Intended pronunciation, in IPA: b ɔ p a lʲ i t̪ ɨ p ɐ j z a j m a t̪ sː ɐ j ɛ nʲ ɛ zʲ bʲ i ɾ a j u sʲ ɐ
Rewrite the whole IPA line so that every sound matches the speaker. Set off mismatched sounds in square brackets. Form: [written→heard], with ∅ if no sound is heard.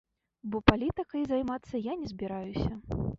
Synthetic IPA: b ɔ p a lʲ i t̪ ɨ [p→k] ɐ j z a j m a t̪ sː ɐ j [ɛ→a] nʲ ɛ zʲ bʲ i ɾ a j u sʲ ɐ